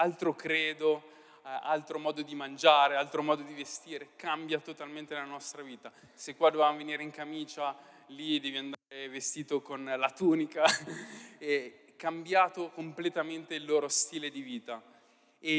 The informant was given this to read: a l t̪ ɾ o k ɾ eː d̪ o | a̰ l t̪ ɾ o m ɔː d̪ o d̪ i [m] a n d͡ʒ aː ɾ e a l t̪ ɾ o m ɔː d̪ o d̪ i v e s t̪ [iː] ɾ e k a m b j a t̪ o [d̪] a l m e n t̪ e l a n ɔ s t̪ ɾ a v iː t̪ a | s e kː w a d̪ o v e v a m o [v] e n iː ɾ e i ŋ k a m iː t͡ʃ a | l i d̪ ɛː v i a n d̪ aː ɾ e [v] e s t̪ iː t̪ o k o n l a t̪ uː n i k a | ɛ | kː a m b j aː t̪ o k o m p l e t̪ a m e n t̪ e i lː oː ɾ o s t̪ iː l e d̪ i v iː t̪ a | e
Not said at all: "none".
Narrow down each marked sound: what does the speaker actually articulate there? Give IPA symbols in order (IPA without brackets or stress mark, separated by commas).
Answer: m, iː, t̪, v, v